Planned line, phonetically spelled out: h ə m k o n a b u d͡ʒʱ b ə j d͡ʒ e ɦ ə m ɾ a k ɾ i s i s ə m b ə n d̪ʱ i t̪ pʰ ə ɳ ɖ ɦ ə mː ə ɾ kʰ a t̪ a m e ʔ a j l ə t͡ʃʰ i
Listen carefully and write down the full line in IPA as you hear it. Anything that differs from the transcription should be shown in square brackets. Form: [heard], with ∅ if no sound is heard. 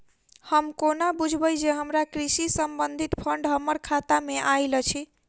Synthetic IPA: h ə m k o n a b u d͡ʒʱ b ə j d͡ʒ e ɦ ə m ɾ a k ɾ i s i s ə m b ə n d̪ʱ i t̪ pʰ ə ɳ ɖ ɦ ə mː ə ɾ kʰ a t̪ a m e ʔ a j l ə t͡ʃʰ i